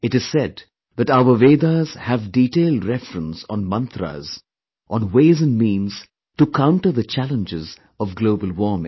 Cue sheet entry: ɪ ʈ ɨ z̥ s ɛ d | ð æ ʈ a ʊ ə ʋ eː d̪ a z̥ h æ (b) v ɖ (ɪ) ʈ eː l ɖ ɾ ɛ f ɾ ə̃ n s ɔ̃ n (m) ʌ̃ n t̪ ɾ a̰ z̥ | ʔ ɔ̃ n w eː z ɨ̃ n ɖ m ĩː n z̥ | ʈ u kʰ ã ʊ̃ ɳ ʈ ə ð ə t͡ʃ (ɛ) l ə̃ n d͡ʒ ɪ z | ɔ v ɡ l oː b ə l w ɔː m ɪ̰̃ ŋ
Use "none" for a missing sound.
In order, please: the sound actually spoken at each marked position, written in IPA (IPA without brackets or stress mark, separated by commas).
none, i, m, æ